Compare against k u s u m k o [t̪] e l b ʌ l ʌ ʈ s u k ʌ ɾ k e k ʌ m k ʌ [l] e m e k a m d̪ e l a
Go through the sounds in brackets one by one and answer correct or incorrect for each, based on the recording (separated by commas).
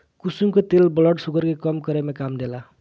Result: correct, incorrect